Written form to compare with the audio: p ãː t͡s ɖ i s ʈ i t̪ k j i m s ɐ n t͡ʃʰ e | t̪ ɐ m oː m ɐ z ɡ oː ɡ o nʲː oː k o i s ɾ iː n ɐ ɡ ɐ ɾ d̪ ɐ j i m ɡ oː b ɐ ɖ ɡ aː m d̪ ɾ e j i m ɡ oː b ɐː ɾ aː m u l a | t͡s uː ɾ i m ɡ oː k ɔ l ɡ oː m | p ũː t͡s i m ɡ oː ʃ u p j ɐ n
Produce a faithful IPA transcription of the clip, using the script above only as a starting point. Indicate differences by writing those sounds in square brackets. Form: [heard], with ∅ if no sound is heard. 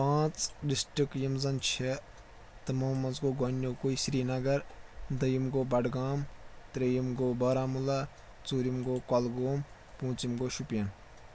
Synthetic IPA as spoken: p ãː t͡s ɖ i s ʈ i [∅] k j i m [z] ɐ n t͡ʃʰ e | t̪ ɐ m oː m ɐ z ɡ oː ɡ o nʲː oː k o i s ɾ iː n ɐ ɡ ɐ ɾ d̪ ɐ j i m ɡ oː b ɐ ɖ ɡ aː m [t̪] ɾ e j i m ɡ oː b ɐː ɾ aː m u l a | t͡s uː ɾ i m ɡ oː k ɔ l ɡ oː m | p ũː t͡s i m ɡ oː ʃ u p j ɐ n